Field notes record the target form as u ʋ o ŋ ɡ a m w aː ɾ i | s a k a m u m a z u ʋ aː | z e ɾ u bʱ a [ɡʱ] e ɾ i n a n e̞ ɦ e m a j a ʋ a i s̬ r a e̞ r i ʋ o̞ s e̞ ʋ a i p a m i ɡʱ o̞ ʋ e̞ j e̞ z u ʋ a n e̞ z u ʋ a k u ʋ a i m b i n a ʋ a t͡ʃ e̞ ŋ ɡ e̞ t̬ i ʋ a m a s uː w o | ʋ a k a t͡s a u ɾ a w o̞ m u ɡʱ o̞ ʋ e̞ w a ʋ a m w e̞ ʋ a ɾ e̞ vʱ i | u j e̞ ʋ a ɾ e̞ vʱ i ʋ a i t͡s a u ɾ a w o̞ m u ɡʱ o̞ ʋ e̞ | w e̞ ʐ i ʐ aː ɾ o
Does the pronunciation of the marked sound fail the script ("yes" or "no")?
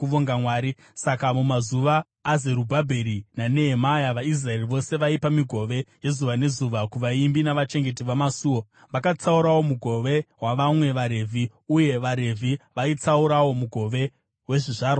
yes